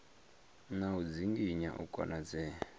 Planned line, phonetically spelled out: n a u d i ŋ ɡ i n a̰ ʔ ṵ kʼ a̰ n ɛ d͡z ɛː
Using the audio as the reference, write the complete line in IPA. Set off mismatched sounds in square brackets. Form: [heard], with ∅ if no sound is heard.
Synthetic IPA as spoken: n a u [d͡z] i ŋ ɡ i [ɲ] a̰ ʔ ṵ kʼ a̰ n [a] d͡z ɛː

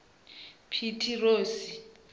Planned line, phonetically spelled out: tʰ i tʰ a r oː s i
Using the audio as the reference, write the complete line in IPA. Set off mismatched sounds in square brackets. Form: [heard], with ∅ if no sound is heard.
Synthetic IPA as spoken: [pʰ] i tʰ [i] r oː s i

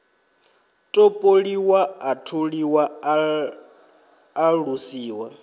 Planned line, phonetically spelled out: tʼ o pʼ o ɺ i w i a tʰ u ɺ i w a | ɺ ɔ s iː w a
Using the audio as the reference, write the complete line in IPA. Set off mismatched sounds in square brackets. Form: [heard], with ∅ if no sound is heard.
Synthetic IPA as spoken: tʼ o pʼ o ɺ i w [a] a tʰ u ɺ i w a | ɺ [u] s iː w a

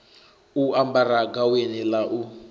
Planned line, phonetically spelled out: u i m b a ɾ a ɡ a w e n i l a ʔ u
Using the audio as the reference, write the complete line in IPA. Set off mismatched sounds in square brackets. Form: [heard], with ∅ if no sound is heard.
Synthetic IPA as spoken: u [a] m b a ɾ a ɡ a w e n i l a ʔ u

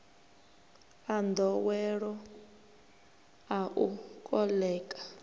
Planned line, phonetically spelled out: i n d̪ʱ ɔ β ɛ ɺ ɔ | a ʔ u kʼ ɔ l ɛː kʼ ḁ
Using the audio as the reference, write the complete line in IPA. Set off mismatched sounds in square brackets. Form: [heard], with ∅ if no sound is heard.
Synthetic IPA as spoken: [a] n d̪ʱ ɔ [w] ɛ ɺ ɔ | a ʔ u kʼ ɔ l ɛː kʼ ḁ

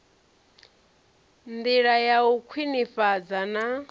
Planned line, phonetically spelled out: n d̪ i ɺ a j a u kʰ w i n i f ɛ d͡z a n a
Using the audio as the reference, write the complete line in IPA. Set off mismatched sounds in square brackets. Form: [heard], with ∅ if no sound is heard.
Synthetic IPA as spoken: n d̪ i ɺ a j a u kʰ w i n i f [a] d͡z a n a

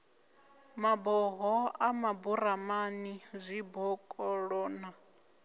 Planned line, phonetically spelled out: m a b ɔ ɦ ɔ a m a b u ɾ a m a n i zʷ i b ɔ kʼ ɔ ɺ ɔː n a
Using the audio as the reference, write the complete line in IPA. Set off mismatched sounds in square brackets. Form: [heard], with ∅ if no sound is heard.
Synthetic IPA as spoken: m a b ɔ ɦ ɔ a m a b u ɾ a m a n i zʷ i b ɔ kʼ ɔ ɺ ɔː n a

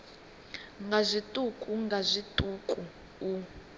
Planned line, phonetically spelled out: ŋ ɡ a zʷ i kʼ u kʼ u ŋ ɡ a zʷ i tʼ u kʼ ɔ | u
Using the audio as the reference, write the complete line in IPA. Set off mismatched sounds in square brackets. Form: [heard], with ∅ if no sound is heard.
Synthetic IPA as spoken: ŋ ɡ a zʷ i [tʼ] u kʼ u ŋ ɡ a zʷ i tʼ u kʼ [u] | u

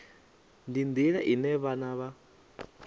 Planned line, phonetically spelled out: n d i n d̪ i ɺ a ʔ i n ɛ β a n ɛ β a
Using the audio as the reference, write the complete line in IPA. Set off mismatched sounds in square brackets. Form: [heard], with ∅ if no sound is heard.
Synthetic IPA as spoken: n d i n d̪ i ɺ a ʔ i n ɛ β a n [a] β a

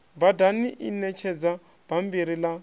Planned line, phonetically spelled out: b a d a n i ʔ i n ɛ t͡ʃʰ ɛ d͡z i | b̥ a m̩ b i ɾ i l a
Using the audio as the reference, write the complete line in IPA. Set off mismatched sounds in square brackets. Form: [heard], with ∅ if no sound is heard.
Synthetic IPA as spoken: b a d a n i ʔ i n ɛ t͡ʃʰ ɛ d͡z [a] | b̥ a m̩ b i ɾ i l a

